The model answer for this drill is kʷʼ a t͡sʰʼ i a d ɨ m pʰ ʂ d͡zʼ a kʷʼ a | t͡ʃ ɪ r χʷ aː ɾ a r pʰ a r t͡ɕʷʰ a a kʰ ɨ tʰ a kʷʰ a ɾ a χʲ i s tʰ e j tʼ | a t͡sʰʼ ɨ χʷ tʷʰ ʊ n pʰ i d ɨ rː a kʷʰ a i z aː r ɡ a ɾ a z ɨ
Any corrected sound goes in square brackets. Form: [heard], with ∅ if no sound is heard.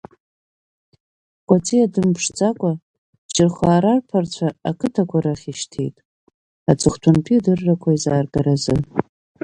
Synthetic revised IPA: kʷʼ a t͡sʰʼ i a d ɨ m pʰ ʂ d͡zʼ a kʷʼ a | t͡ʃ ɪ r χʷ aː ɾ a r pʰ a r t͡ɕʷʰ a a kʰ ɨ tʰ a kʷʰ a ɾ a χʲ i [ʃ] tʰ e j tʼ | a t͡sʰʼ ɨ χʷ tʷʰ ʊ n pʰ i d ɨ rː a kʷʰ a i z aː r ɡ a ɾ a z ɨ